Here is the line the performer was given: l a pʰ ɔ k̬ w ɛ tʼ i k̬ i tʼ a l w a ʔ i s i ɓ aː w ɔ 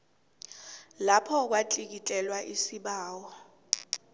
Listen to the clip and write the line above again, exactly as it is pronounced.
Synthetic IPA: l a pʰ ɔ k̬ w a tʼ i k̬ i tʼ ɛ l w a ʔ i s i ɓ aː w ɔ